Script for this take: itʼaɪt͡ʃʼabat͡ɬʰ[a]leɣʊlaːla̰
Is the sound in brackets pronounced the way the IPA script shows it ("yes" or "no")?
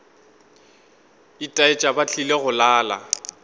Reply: no